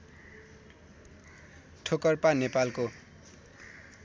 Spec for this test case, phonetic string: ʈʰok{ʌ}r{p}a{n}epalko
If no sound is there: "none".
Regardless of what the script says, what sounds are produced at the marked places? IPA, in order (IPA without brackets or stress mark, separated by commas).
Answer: ʌ, p, n